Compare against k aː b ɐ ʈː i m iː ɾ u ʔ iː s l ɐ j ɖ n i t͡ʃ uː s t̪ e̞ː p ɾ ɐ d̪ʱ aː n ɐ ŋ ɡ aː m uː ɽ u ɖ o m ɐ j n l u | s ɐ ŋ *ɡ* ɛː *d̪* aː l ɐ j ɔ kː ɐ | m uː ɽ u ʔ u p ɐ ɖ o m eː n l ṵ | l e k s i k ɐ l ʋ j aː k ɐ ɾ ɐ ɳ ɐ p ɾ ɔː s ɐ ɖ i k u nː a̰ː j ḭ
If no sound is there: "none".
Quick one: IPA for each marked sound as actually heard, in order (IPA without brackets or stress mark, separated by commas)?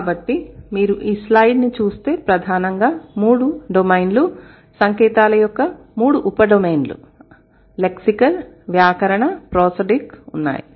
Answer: k, t̪